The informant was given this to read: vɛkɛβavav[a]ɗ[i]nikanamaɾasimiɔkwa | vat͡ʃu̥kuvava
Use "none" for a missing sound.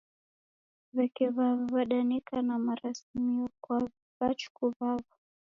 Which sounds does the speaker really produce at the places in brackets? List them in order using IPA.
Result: a, a

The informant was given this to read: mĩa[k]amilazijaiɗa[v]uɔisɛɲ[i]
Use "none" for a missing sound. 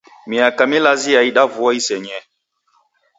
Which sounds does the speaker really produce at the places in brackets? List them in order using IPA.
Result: k, v, ɛ

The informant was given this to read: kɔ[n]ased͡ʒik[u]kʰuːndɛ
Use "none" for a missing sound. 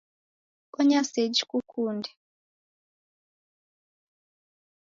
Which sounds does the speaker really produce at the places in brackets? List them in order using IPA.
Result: ɲ, u

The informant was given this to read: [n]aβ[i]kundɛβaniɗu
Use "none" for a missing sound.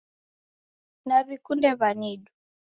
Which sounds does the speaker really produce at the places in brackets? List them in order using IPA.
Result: n, i

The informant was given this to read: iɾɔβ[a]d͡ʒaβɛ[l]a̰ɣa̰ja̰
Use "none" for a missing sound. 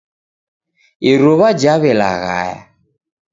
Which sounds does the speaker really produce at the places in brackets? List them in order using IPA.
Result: a, l

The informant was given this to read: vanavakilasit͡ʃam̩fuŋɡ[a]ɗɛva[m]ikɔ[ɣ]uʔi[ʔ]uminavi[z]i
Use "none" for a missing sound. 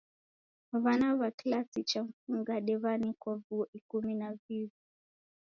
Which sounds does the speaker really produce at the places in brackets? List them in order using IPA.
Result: a, n, v, k, v

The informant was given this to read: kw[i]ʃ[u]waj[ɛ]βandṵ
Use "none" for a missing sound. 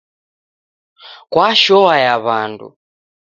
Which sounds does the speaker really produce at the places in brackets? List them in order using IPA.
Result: a, ɔ, a

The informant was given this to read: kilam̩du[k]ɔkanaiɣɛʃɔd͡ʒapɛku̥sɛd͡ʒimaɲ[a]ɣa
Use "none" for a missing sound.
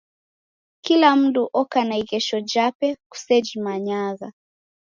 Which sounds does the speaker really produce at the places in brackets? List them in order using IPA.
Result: ʔ, a

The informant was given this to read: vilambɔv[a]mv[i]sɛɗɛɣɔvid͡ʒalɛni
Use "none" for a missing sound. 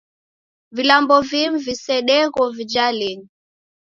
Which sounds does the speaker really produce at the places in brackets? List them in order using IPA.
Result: i, i

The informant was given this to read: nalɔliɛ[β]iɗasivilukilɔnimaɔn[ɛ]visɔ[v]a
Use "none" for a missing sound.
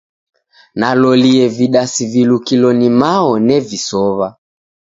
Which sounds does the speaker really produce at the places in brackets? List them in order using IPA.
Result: v, ɛ, β

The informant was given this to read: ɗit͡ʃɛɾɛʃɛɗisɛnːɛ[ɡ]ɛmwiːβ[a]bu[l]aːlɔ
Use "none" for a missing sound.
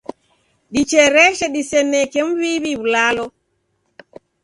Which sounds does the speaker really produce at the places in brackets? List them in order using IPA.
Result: k, i, l

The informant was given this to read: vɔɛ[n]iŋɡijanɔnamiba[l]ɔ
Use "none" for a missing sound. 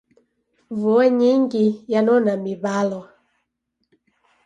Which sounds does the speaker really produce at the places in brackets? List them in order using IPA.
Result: ɲ, l

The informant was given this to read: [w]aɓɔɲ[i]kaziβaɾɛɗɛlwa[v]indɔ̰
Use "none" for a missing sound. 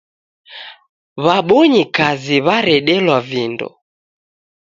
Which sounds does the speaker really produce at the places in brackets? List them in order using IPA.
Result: β, i, v

